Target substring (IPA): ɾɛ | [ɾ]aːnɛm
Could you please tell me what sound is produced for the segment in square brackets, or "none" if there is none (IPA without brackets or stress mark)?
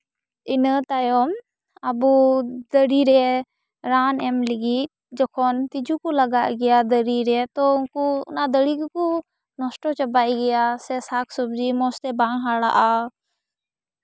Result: ɾ